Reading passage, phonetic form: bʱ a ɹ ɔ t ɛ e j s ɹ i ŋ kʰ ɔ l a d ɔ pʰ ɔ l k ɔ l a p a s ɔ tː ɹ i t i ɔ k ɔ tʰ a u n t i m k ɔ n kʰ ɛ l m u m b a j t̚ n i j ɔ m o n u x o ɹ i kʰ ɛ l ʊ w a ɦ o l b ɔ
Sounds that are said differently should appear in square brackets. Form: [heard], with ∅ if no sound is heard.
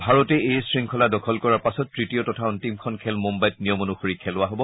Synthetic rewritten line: bʱ a ɹ ɔ t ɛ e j s ɹ i ŋ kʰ ɔ l a d ɔ [kʰ] ɔ l k ɔ [ɹ] a p a s ɔ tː ɹ i t i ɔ [t] ɔ tʰ a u n t i m [kʰ] ɔ n kʰ ɛ l m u m b a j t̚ n i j ɔ m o n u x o ɹ i kʰ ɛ l ʊ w a ɦ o [∅] b ɔ